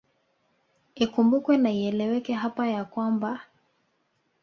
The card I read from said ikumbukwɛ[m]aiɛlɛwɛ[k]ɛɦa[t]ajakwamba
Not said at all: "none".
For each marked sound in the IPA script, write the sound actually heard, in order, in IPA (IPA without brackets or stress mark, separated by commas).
n, k, p